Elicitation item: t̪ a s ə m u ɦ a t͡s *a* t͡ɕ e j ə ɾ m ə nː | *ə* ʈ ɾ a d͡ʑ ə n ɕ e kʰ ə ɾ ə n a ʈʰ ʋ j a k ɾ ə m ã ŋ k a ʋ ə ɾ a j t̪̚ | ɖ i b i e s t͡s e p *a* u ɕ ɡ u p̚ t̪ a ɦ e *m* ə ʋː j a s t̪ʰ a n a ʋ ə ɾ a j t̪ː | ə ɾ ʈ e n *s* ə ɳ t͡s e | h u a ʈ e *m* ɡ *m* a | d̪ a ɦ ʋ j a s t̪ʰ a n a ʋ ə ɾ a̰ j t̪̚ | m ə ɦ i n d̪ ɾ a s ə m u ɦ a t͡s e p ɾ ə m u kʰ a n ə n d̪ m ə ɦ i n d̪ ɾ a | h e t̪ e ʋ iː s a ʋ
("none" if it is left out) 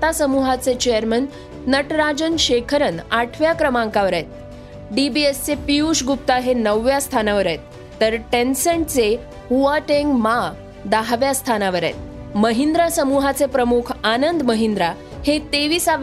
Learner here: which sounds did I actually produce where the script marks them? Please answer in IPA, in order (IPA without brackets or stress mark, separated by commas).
e, ə, i, n, s, ŋ, m